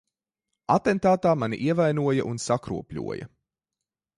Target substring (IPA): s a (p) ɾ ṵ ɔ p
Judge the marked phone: incorrect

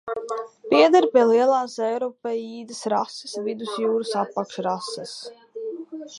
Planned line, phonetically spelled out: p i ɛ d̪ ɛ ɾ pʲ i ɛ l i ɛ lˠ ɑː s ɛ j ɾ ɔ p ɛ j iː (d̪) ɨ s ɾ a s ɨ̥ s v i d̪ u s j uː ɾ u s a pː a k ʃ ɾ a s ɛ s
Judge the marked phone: correct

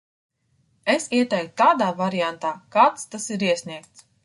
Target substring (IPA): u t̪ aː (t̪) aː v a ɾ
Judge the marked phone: incorrect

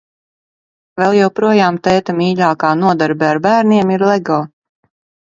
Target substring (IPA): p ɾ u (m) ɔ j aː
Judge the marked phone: incorrect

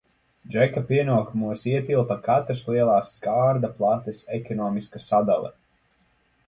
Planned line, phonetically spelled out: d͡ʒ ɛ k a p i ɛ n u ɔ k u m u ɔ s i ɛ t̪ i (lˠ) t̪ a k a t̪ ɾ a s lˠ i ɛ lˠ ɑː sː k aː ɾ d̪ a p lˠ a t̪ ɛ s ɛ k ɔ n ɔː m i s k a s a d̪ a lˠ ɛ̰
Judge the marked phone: correct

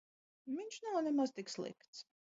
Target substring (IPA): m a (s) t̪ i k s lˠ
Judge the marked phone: incorrect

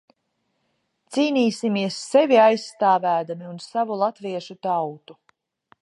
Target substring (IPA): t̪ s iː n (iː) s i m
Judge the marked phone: correct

